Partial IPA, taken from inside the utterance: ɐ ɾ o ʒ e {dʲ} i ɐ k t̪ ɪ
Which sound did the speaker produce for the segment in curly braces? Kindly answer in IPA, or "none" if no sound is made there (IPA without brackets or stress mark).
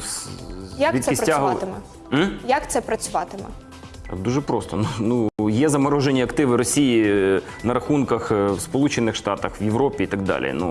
nʲ